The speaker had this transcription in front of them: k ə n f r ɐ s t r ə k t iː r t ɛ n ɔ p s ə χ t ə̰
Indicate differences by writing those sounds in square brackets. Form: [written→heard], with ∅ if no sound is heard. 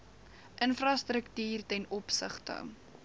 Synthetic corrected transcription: [k→ʔ] ə n f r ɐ s t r ə k t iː r t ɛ n ɔ p s ə χ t ə̰